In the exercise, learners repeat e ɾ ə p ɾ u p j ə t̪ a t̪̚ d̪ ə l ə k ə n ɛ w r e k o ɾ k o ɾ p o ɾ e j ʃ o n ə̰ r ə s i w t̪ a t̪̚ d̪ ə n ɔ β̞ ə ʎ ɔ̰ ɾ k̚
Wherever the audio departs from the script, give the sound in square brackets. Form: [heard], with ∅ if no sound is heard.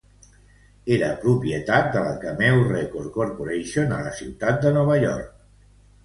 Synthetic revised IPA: e ɾ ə p ɾ u p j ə t̪ a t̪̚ d̪ ə l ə k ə [m] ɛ w r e k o ɾ k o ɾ p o ɾ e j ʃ o n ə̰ [l] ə s i w t̪ a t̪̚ d̪ ə n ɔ β̞ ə ʎ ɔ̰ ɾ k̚